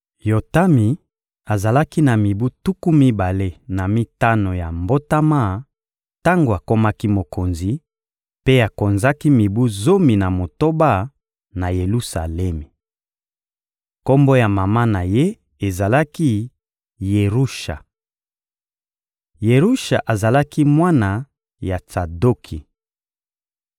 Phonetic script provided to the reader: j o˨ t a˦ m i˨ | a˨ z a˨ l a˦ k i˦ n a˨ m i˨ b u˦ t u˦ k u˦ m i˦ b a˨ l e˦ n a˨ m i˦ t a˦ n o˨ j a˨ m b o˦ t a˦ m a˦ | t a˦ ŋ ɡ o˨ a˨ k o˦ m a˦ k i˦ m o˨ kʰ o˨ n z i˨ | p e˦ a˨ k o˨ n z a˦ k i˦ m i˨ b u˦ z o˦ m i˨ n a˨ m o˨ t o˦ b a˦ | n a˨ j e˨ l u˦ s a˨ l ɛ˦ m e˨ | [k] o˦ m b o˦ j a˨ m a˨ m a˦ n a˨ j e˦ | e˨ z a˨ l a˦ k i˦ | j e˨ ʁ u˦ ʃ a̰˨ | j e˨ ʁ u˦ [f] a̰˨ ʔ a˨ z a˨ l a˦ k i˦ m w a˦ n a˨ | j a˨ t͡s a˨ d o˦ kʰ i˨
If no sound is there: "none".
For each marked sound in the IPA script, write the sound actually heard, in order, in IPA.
k, ʃ

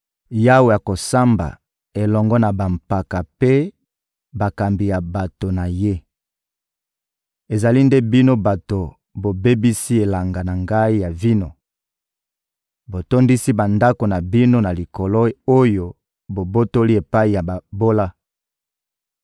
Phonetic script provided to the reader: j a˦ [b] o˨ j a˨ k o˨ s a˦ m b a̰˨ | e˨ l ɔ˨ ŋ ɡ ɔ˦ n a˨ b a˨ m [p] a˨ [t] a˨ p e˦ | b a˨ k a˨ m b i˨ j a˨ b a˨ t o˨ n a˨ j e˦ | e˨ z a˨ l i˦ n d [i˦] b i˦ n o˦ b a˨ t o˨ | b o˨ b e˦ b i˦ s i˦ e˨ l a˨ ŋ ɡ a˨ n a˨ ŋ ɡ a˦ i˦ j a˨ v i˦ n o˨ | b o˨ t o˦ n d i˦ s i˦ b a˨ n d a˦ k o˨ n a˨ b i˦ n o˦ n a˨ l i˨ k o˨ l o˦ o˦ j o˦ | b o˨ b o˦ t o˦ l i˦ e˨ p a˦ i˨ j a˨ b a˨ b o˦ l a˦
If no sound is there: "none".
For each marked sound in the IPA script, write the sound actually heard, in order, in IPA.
w, p, k, e˦

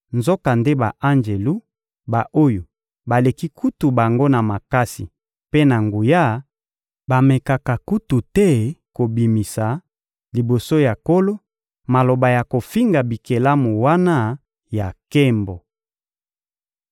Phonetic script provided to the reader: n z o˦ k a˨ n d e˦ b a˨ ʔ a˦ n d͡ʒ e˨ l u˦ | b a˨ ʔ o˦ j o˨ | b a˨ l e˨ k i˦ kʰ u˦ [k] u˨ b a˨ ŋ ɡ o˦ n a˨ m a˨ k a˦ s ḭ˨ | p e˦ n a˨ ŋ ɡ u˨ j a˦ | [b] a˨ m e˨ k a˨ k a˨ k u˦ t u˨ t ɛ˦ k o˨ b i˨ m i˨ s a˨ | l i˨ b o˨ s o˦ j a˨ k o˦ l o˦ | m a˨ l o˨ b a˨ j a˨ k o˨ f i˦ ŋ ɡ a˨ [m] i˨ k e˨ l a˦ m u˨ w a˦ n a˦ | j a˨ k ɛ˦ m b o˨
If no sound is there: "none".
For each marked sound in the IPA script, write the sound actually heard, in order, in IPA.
t, b, b

